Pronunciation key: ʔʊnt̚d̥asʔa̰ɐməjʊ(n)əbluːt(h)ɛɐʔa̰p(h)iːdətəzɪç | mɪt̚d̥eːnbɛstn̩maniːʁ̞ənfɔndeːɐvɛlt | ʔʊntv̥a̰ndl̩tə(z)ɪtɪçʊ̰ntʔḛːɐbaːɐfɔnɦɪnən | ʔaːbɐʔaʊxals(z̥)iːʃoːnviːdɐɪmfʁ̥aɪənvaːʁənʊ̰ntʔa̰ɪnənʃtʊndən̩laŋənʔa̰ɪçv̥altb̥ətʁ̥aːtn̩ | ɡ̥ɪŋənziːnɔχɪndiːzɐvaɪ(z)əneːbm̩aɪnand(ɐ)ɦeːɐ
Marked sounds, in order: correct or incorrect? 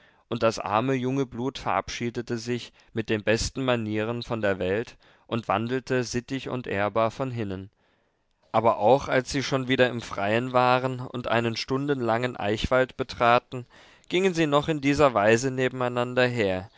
incorrect: ŋ, incorrect: f, incorrect: ʃ, correct, correct, correct, correct

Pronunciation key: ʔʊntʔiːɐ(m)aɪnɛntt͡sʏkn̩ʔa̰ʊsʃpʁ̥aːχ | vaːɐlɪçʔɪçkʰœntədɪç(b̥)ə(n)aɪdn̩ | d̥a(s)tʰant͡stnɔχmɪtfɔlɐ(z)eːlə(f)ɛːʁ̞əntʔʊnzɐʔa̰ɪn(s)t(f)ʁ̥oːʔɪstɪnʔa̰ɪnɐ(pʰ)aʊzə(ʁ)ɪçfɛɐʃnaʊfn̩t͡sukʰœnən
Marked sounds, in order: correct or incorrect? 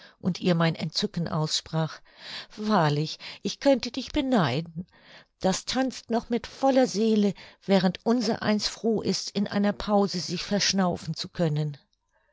correct, correct, correct, correct, correct, incorrect: v, correct, correct, correct, incorrect: z

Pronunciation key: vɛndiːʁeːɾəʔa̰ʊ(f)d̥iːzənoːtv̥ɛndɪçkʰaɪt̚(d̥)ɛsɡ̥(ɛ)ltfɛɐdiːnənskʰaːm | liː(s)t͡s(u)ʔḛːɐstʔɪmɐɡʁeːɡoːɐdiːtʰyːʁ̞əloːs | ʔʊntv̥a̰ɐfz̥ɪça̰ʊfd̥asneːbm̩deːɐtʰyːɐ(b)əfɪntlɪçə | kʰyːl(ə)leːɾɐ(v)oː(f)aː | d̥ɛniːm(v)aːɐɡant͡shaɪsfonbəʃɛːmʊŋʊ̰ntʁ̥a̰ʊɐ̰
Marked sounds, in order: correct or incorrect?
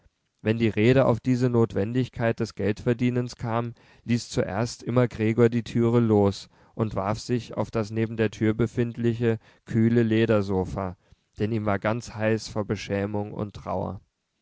correct, correct, correct, correct, correct, correct, correct, incorrect: z, correct, correct

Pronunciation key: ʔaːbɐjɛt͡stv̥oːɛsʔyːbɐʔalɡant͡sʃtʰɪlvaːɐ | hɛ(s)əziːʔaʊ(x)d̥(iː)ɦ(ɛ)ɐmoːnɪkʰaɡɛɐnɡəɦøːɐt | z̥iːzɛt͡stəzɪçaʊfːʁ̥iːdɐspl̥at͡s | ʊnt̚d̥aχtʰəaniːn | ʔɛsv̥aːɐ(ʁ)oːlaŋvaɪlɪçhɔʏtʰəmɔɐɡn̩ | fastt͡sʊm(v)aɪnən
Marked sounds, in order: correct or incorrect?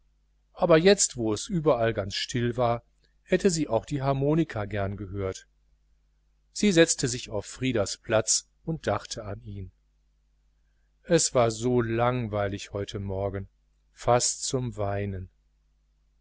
incorrect: t, correct, correct, incorrect: a, incorrect: z, correct

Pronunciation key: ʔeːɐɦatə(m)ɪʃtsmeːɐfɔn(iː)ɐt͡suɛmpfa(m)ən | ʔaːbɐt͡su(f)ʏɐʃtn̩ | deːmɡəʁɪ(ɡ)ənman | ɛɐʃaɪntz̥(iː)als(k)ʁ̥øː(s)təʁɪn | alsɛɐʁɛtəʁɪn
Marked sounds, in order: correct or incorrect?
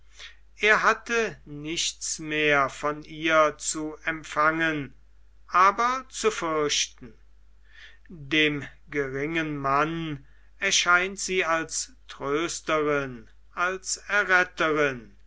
incorrect: n, correct, incorrect: ŋ, correct, incorrect: ŋ, correct, incorrect: t, correct

